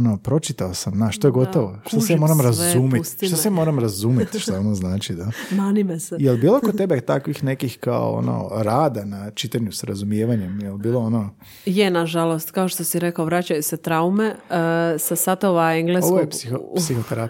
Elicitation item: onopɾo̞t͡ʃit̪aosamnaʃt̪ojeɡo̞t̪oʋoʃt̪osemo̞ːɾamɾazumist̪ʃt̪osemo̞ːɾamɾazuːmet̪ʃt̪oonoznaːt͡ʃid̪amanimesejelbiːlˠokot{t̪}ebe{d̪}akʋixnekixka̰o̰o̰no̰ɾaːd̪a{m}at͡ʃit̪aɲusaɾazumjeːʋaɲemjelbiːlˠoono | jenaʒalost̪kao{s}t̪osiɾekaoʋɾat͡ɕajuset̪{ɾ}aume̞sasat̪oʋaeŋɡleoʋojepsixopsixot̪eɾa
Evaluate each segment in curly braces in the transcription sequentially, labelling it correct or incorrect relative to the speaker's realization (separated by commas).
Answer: correct, incorrect, incorrect, incorrect, correct